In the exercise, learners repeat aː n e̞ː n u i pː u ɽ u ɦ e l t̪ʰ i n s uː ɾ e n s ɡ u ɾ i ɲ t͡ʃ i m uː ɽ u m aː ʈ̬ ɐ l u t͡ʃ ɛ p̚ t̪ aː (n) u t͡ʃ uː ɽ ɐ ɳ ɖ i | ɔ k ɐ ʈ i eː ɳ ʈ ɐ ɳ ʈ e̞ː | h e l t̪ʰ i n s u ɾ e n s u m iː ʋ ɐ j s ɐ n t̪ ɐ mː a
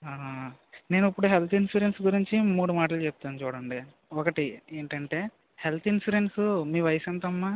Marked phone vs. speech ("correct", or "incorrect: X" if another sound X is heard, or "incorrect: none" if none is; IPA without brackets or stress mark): correct